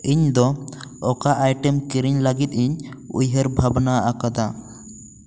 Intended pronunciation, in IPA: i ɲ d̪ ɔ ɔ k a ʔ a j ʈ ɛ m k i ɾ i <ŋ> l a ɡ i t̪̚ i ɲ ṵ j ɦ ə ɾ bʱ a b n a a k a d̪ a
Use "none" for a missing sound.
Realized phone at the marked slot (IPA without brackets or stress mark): ɲ